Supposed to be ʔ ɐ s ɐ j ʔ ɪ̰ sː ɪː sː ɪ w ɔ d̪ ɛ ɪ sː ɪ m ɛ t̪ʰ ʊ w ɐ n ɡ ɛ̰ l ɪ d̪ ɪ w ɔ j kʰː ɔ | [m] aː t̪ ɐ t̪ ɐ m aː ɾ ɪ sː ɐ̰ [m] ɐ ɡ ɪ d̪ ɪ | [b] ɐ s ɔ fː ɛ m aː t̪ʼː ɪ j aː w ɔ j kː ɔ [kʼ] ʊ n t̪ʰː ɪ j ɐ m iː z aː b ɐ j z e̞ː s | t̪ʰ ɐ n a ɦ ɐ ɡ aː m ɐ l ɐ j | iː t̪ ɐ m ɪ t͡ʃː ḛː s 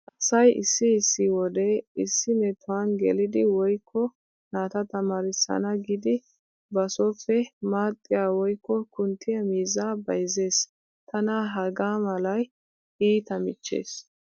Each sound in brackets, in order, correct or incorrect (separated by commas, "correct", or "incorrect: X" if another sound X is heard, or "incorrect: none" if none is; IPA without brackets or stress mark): incorrect: n, incorrect: n, correct, incorrect: k